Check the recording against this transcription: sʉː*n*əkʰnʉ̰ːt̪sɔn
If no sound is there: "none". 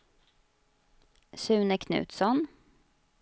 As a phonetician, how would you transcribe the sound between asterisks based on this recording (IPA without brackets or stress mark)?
n